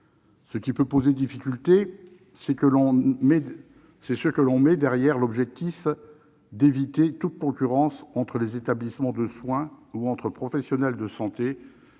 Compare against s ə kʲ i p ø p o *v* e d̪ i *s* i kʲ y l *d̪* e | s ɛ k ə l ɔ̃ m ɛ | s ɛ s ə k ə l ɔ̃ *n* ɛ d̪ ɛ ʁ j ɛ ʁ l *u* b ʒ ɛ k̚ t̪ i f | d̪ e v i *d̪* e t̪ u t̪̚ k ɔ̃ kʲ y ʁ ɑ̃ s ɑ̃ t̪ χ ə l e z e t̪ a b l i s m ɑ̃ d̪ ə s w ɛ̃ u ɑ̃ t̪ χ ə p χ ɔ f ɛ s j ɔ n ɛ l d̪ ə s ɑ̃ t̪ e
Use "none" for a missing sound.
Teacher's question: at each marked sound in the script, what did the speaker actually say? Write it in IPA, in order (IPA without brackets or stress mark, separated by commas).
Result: z, f, t̪, m, ɔ, t̪